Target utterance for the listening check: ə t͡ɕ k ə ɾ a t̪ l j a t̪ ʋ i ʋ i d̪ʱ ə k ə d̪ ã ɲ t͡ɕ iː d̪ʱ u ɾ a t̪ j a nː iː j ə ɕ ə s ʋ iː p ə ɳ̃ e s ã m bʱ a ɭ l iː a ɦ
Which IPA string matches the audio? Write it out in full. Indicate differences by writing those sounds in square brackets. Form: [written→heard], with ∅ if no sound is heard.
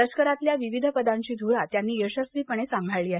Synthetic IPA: ə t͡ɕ k ə ɾ a t̪ l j a [t̪→∅] ʋ i ʋ i d̪ʱ ə [k→p] ə d̪ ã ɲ t͡ɕ iː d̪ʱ u ɾ a t̪ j a nː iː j ə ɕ ə s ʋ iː p ə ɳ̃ e s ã m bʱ a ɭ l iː a ɦ